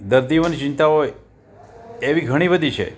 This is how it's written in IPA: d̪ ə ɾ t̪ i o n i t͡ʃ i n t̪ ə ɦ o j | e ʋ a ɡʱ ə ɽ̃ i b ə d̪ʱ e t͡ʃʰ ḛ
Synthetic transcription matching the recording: d̪ ə ɾ d̪ i o n i t͡ʃ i n t̪ a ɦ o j | e ʋ i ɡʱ ə ɽ̃ i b ə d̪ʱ i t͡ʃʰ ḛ